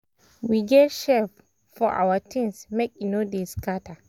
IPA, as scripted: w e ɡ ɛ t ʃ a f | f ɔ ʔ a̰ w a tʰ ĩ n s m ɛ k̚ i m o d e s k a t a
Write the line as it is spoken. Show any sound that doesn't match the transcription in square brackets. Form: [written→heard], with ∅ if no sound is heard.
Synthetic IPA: w [e→i] ɡ ɛ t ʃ [a→ɛ] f | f ɔ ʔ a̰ w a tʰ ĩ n s m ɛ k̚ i [m→n] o d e s k a t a